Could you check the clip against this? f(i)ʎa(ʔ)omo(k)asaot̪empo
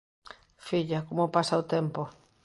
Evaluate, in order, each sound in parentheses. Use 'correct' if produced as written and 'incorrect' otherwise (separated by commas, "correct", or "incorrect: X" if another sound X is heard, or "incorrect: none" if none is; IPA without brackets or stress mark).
correct, incorrect: k, incorrect: p